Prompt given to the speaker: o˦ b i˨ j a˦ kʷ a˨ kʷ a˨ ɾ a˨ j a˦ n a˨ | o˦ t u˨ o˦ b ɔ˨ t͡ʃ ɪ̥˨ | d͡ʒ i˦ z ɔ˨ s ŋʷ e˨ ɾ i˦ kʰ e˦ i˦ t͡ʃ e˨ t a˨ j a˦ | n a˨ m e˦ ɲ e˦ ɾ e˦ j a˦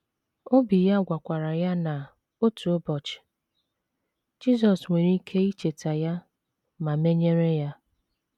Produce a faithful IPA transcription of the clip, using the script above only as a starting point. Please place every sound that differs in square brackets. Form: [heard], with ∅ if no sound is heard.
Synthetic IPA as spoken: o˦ b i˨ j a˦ [ɡʷ] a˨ kʷ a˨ ɾ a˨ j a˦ n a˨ | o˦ t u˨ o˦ b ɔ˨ t͡ʃ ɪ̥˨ | d͡ʒ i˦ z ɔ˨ s ŋʷ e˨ ɾ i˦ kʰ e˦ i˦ t͡ʃ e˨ t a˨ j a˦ | [m] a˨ m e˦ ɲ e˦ ɾ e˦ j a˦